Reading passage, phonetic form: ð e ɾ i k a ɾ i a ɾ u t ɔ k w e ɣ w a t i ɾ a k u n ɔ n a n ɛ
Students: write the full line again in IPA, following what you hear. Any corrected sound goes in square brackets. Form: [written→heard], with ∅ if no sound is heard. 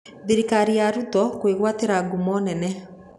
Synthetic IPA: ð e ɾ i k a ɾ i a ɾ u t ɔ k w e ɣ w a t [i→e] ɾ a [k→ɡ] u [n→m] ɔ n [a→ɛ] n ɛ